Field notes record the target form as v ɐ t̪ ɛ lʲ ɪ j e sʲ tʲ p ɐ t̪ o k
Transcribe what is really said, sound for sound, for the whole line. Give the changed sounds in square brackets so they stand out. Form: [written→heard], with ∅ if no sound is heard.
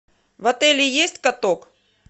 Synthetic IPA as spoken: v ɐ t̪ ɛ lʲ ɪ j e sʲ tʲ [p→k] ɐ t̪ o k